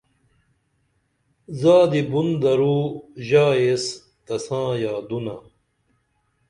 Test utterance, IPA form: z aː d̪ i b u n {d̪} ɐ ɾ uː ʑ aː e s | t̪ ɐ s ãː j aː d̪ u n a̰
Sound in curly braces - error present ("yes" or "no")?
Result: no